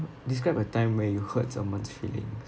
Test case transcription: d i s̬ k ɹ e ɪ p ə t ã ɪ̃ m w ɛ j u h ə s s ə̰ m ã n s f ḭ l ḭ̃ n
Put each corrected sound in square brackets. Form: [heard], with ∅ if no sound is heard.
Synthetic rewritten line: d i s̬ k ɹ [a] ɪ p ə t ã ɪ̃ m w ɛ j u h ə [t] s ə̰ m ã n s f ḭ l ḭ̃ [ŋ]